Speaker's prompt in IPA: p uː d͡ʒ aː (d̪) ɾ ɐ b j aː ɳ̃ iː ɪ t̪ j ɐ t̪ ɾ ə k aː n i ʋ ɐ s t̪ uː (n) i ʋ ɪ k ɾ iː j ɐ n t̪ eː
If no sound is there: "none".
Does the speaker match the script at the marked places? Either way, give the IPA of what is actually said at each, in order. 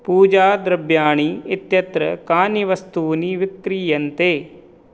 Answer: d̪, n

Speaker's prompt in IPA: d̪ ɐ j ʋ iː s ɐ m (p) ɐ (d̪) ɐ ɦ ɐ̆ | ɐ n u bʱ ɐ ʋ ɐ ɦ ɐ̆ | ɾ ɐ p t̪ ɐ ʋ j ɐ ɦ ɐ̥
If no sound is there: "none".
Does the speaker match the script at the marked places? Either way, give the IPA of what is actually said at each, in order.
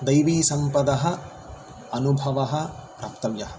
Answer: p, d̪

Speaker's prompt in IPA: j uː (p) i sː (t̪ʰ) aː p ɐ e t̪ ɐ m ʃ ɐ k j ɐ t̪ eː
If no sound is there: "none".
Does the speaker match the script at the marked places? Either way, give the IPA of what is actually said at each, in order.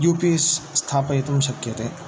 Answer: p, t̪ʰ

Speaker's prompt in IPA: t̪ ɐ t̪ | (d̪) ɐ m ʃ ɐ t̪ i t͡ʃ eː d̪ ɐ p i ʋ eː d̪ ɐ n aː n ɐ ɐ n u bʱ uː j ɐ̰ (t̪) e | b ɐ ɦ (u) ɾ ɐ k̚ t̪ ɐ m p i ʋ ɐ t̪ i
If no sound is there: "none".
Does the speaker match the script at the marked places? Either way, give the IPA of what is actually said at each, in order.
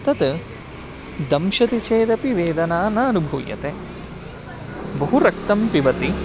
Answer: d̪, t̪, u

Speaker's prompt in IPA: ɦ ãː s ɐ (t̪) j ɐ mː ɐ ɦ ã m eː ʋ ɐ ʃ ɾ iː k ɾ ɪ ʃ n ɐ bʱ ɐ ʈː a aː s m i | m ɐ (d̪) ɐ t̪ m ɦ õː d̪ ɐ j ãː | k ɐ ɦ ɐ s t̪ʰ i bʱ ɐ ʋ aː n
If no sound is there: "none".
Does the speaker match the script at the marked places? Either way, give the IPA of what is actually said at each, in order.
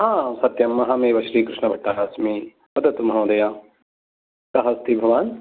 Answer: t̪, d̪

